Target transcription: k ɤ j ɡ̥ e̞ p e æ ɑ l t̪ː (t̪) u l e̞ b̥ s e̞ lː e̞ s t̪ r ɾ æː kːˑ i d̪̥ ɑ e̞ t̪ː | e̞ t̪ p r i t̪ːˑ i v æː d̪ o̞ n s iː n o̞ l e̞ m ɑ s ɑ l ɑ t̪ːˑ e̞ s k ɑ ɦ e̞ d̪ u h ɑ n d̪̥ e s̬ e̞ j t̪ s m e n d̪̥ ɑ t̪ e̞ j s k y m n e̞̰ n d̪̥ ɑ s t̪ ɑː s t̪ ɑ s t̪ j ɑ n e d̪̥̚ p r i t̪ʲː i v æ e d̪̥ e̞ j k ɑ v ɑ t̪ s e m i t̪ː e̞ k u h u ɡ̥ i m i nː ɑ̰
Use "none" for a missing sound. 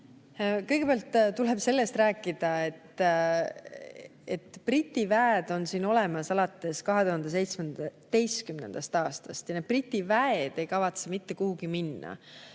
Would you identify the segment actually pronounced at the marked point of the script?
t̪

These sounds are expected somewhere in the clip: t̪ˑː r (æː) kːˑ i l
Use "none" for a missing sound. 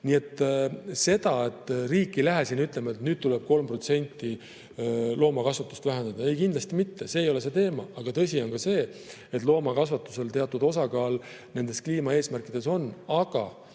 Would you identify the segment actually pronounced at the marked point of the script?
iː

